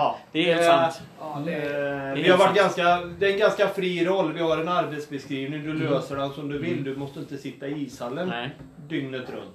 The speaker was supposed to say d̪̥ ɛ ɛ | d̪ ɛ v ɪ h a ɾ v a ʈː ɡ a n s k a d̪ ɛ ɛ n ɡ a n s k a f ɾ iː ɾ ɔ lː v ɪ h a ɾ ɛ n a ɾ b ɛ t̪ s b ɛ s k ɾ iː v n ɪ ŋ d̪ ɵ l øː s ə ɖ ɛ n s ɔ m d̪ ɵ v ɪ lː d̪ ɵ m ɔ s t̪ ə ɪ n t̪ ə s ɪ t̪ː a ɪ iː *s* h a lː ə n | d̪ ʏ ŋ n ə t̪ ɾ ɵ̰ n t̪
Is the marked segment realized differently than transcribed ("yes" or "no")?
no